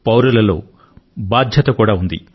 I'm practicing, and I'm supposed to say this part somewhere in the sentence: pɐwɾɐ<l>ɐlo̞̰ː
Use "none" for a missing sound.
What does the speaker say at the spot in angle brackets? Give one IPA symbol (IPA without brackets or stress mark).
l